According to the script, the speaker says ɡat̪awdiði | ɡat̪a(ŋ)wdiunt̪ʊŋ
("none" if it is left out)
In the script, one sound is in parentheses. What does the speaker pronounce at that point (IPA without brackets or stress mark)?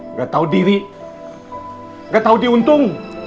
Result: none